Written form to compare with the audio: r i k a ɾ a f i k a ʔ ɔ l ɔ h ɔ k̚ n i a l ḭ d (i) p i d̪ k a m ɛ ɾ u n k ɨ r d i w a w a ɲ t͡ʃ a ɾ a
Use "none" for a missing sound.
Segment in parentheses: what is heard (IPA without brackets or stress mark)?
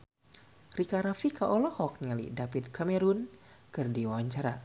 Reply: a